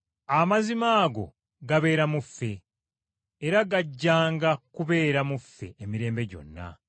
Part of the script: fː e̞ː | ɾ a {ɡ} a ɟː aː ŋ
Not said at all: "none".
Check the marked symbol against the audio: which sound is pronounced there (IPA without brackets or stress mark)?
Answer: ɡ